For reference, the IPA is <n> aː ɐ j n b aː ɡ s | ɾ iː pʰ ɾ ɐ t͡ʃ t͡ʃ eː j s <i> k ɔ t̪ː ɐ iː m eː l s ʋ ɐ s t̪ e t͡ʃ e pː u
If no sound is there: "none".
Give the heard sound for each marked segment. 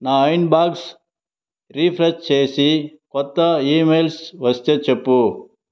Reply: n, i

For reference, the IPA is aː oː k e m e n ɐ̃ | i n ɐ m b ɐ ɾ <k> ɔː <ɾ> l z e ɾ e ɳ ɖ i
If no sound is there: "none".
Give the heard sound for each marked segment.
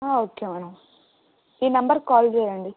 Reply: k, none

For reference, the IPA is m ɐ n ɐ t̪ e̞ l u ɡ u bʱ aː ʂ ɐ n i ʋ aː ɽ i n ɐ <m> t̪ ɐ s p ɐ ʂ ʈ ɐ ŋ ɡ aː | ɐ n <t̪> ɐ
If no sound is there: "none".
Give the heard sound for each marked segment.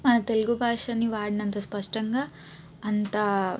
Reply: n, t̪

